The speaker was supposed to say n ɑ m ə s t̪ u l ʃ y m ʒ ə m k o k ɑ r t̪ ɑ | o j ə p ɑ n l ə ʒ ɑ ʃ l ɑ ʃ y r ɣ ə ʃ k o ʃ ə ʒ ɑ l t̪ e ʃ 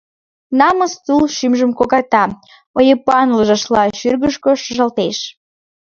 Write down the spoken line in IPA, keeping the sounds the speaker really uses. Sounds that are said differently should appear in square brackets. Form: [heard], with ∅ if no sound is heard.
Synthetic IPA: n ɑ m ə s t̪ u l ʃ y m ʒ ə m k o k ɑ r t̪ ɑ | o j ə p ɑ n l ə ʒ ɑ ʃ l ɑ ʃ y r ɣ ə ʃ k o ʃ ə ʒ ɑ l t̪ e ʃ